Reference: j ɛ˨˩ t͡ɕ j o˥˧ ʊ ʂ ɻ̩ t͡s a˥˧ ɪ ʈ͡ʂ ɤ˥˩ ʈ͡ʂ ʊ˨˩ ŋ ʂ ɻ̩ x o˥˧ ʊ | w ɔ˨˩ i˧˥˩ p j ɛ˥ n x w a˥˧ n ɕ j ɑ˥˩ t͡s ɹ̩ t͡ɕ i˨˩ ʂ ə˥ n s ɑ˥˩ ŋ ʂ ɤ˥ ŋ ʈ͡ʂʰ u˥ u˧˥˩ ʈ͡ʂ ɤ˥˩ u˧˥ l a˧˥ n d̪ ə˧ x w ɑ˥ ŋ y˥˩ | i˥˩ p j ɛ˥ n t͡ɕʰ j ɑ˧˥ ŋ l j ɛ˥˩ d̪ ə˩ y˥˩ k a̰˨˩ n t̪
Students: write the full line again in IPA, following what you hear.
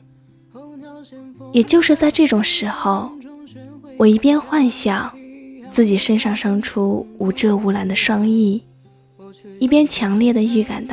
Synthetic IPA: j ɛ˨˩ t͡ɕ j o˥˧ ʊ ʂ ɻ̩ t͡s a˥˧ ɪ ʈ͡ʂ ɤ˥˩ ʈ͡ʂ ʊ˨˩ ŋ ʂ ɻ̩ x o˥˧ ʊ | w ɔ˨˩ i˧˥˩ p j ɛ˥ n x w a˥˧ n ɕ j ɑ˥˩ t͡s ɹ̩ t͡ɕ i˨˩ ʂ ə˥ n ʂ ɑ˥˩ ŋ ʂ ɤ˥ ŋ ʈ͡ʂʰ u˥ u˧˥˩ ʈ͡ʂ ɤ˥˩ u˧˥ l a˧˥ n d̪ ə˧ ʂ w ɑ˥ ŋ i˥˩ | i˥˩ p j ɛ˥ n t͡ɕʰ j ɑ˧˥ ŋ l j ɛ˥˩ d̪ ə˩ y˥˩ k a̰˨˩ n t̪